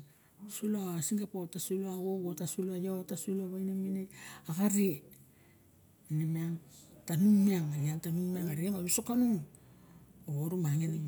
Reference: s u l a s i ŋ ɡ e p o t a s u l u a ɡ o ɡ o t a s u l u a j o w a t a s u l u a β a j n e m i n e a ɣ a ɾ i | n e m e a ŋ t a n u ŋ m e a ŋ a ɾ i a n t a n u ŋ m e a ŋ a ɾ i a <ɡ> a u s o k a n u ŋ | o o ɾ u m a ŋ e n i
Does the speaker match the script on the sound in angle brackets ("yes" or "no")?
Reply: no